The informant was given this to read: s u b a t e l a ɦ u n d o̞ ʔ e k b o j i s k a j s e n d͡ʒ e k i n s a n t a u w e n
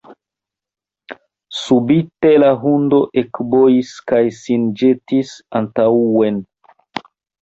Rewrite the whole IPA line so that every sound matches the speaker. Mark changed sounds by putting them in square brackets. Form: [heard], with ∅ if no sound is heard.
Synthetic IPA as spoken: s u b [i] t e l a ɦ u n d o̞ ʔ e k b o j i s k a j s [i] n d͡ʒ e [t] i [∅] s a n t a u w e n